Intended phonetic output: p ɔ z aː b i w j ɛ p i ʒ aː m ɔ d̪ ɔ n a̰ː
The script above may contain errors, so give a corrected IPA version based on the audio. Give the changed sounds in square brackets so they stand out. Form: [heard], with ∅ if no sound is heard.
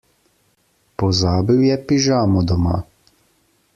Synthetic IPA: p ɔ z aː b i w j ɛ p i ʒ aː m ɔ d̪ ɔ [m] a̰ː